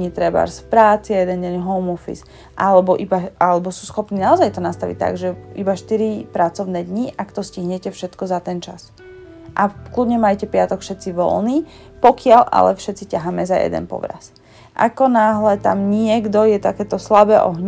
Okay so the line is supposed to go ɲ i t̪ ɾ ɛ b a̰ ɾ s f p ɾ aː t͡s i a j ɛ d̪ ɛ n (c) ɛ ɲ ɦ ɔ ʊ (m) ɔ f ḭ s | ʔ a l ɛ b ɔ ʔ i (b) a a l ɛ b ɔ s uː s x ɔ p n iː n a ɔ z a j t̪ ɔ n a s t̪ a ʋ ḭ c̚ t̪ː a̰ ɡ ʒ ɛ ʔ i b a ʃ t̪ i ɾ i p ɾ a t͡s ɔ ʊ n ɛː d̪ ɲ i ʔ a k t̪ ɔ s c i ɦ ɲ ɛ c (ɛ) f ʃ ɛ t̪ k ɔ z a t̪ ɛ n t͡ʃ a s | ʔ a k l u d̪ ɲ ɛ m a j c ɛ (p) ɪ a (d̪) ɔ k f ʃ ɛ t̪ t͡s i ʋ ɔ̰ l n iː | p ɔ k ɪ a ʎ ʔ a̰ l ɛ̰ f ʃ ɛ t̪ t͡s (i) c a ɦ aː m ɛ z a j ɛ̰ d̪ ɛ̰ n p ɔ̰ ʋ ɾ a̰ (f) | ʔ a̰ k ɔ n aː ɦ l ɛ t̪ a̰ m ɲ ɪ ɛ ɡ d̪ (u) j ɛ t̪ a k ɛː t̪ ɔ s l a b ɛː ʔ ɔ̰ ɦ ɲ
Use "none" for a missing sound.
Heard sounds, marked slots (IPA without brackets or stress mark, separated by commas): ɟ, m, b, ɛ, p, t̪, i, s, ɔ